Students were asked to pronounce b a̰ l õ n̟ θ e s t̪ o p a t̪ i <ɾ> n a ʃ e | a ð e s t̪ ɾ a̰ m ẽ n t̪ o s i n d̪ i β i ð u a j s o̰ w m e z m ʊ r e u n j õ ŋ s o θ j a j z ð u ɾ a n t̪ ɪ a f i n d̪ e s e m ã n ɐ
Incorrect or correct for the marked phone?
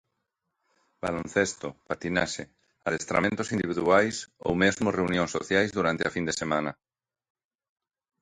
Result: incorrect: none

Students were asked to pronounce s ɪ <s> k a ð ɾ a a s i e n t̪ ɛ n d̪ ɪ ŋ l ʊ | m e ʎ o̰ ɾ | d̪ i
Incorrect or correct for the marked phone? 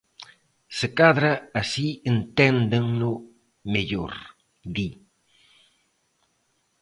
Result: incorrect: none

